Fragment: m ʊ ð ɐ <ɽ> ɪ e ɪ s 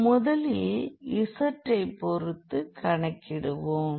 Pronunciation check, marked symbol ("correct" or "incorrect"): incorrect